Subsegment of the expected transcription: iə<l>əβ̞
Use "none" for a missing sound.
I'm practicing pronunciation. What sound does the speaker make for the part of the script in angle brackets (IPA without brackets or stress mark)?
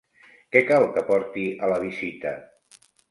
l